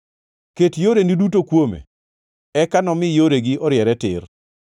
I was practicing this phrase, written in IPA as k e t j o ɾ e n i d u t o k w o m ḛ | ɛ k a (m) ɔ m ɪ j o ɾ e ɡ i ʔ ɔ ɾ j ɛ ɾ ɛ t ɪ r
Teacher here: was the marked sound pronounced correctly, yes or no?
no